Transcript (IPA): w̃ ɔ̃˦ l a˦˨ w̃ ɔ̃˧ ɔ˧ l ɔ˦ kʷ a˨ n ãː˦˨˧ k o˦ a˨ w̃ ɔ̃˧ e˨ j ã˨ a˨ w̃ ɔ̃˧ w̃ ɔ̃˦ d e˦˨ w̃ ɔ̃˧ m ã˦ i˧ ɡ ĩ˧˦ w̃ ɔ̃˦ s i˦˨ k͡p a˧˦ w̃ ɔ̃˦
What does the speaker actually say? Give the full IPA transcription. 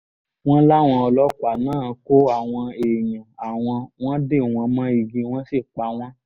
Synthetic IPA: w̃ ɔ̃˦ l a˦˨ w̃ ɔ̃˧ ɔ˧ l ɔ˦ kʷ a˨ n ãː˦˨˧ k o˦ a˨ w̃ ɔ̃˧ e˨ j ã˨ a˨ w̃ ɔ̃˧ w̃ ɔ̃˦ d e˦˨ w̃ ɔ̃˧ m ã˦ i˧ ɡ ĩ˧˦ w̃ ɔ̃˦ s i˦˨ k͡p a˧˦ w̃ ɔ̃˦